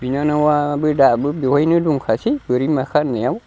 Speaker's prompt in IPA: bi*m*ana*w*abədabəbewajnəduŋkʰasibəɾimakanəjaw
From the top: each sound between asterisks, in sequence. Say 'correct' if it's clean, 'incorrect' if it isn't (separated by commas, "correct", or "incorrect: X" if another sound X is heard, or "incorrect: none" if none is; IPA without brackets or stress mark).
incorrect: n, correct